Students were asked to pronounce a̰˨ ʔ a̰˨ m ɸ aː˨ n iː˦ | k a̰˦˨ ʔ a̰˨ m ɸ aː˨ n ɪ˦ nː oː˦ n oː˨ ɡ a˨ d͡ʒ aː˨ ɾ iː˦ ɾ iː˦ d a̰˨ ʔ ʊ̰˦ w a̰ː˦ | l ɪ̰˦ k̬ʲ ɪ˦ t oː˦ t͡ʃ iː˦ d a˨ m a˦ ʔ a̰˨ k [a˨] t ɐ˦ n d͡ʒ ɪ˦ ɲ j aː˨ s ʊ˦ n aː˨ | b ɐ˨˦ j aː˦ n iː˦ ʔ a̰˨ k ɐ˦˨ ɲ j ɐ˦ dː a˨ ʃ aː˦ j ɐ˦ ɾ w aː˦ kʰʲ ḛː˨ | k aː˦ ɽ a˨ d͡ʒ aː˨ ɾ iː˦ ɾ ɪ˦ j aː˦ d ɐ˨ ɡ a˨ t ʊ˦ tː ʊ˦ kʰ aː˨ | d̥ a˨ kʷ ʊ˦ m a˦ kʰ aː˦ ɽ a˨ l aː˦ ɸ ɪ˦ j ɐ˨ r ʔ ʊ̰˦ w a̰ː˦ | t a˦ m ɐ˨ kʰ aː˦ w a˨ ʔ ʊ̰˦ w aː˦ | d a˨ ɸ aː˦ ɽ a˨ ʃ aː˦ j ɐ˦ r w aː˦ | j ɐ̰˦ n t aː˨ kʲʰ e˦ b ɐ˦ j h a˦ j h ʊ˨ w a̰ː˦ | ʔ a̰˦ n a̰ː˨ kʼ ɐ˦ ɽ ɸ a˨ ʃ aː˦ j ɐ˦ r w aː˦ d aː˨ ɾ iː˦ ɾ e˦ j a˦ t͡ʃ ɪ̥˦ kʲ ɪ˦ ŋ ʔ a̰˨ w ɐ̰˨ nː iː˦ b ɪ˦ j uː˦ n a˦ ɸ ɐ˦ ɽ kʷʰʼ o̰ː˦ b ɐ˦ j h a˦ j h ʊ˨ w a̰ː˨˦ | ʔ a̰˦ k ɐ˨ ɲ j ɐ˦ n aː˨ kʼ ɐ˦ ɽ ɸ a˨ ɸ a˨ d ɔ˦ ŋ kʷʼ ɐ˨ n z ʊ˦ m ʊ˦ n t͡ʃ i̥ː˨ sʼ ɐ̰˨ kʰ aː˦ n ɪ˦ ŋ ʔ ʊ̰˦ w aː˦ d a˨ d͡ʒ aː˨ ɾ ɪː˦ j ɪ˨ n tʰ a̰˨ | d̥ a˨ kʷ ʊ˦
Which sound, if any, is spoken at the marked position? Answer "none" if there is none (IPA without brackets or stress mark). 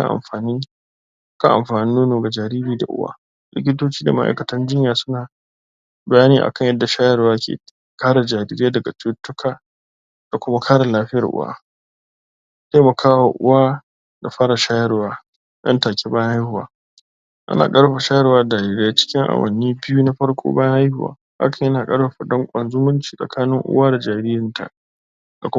ɐ˨